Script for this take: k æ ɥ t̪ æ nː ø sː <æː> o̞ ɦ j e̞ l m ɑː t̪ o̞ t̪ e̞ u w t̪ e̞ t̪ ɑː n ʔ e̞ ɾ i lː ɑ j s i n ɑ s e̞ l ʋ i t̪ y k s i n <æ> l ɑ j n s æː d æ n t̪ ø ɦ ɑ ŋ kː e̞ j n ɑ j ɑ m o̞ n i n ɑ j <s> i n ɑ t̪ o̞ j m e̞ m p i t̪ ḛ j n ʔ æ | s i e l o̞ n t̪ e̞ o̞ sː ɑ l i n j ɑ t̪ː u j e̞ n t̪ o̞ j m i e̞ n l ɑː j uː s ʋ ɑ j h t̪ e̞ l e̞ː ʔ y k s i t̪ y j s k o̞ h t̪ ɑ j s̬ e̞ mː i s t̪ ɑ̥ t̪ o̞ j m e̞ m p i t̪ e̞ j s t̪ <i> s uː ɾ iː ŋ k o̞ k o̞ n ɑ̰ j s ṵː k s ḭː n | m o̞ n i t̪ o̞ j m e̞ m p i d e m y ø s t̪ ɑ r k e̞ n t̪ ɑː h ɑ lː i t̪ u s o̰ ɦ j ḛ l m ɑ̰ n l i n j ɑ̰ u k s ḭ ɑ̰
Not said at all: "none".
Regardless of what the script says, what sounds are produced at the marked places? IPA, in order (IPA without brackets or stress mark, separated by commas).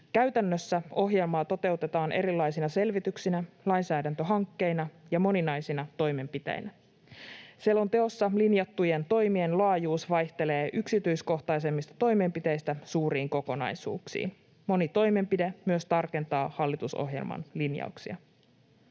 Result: æ, æ, s, æ